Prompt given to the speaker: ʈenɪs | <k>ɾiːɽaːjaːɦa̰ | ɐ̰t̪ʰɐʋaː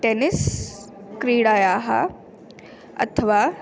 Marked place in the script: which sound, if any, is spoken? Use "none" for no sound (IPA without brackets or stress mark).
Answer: k